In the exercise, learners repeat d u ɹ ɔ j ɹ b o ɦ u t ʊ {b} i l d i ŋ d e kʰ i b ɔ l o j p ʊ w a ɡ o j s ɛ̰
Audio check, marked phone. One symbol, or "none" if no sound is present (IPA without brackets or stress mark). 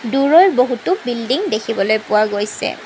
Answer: b